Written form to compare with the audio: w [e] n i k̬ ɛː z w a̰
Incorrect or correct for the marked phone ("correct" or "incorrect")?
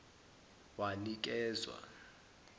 incorrect